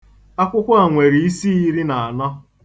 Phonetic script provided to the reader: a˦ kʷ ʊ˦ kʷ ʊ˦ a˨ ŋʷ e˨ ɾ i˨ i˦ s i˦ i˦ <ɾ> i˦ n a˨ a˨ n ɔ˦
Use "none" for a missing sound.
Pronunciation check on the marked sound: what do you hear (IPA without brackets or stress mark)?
ɾ